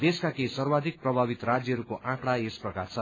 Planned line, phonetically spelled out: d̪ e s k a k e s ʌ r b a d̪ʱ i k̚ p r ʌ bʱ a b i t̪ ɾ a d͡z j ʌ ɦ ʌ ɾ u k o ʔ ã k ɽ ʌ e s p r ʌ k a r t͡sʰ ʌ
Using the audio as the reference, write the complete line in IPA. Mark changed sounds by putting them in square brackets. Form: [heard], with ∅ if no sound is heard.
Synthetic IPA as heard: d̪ e s k a k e s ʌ r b a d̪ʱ i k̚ p r ʌ bʱ a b i t̪ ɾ a d͡z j ʌ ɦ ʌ ɾ u k o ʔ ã k ɽ [a] e s p r ʌ k a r t͡sʰ ʌ